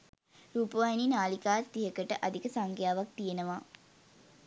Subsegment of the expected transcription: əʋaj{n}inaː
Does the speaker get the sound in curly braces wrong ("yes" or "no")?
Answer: no